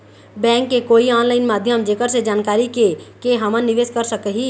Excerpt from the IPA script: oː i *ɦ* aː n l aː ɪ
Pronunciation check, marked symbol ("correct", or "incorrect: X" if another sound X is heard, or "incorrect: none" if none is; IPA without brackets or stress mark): incorrect: none